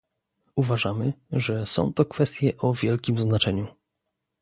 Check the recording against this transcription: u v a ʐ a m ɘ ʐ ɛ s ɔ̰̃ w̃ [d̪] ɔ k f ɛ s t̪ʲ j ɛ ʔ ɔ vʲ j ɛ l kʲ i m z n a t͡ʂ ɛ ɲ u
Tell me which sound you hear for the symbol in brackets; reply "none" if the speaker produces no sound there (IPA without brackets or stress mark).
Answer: t̪